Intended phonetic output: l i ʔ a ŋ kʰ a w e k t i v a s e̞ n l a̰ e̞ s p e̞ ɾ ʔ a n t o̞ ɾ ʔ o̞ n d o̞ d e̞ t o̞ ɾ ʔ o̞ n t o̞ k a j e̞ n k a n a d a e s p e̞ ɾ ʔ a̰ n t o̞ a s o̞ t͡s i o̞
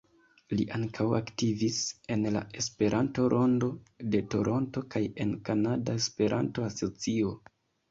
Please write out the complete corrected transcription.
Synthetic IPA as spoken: l i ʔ a ŋ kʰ a w a k t i v i s e̞ n l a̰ e̞ s p e̞ ɾ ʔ a n t o̞ ɾ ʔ o̞ n d o̞ d e̞ t o̞ ɾ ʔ o̞ n t o̞ k a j e̞ n k a n a d a e s p e̞ ɾ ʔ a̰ n t o̞ a s o̞ t͡s i o̞